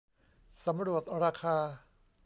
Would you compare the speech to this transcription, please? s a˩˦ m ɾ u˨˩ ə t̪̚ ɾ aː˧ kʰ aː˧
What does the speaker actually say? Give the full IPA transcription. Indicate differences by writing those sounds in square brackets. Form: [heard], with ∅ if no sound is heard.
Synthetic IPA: s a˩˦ m ɾ u˨˩ ə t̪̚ ɾ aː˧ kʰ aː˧